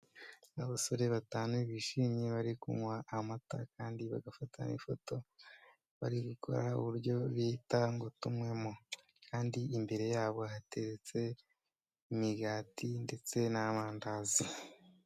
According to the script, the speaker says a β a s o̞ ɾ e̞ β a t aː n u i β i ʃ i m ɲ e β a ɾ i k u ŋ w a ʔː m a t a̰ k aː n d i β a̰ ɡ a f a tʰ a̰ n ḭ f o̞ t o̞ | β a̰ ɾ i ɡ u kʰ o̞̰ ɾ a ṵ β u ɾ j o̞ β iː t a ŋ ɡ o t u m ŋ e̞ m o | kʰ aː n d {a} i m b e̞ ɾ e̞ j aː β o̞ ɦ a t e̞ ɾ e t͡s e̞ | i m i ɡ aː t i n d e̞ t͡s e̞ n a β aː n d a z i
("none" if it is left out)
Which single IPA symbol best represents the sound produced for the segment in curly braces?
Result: i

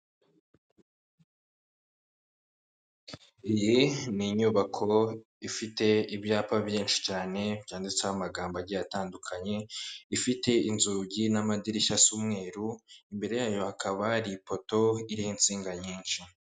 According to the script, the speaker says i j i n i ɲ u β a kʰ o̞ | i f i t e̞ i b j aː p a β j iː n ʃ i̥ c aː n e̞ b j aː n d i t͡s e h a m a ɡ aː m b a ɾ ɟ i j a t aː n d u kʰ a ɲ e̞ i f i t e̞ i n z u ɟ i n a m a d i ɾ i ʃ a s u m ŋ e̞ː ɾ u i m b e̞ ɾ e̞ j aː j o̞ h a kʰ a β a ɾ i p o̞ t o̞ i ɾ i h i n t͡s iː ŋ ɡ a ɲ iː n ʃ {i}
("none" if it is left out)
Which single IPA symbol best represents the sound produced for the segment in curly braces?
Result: i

